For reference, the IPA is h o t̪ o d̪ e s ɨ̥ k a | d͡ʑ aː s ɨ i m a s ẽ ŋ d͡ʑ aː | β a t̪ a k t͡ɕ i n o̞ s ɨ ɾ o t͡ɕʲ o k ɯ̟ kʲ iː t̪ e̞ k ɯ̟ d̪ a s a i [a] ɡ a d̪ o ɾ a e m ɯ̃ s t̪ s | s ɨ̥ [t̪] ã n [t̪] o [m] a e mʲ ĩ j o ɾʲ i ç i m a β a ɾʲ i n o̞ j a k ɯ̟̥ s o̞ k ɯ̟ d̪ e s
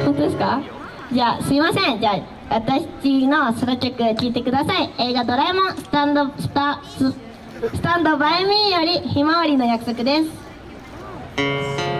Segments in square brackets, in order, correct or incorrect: incorrect: e, correct, incorrect: d̪, incorrect: b

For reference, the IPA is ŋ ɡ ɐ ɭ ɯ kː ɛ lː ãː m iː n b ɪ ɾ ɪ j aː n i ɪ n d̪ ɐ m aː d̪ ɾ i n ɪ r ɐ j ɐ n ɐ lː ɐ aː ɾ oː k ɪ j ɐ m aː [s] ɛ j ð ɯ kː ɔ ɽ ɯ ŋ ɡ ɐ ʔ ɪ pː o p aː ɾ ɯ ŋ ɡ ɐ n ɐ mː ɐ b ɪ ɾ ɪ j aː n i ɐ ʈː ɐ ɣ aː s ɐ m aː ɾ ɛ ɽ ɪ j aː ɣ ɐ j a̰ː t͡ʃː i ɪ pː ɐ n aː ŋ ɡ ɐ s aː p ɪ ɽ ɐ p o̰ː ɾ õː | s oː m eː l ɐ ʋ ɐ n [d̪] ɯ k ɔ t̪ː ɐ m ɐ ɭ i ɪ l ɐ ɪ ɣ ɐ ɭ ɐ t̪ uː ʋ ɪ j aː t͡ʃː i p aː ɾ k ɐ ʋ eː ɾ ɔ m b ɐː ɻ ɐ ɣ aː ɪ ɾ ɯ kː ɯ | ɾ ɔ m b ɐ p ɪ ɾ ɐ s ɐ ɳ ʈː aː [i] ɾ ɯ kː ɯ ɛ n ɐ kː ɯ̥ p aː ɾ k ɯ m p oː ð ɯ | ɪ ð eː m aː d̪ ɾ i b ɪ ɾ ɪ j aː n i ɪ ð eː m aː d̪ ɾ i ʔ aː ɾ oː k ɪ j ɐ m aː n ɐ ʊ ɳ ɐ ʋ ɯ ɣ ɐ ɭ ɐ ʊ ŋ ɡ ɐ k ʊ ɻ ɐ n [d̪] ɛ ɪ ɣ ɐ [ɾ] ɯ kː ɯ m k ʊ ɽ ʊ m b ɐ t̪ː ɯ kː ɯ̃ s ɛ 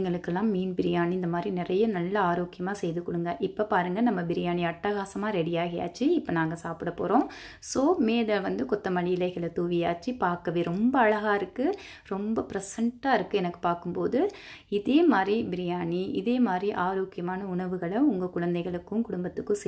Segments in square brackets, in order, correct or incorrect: correct, correct, incorrect: ɪ, correct, incorrect: ɭ

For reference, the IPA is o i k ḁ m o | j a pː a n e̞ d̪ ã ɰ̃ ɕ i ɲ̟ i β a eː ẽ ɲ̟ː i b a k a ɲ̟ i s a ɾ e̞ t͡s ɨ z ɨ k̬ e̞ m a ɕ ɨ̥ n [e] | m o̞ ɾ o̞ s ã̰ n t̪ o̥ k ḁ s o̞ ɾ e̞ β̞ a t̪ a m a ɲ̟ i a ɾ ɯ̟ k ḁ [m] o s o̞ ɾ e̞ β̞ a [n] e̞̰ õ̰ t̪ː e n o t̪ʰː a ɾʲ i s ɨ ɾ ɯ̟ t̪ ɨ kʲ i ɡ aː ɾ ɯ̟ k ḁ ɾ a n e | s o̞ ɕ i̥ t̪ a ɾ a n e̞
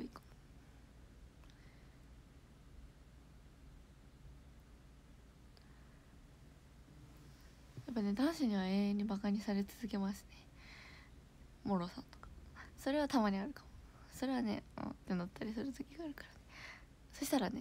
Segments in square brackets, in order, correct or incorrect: correct, correct, correct

